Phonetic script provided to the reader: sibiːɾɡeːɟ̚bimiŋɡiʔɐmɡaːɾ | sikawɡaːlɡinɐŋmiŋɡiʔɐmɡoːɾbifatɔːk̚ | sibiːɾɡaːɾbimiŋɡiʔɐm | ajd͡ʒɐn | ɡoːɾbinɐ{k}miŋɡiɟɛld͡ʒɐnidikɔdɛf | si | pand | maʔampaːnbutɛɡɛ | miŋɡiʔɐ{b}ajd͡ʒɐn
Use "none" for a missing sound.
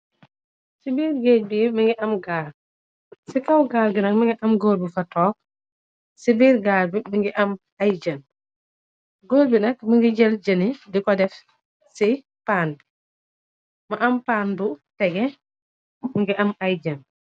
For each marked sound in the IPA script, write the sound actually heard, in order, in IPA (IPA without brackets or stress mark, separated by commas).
k, m